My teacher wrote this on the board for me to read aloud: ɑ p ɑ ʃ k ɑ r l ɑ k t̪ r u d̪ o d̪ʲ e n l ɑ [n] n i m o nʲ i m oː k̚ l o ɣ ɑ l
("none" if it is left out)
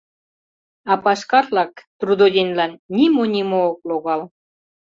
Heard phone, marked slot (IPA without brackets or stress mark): n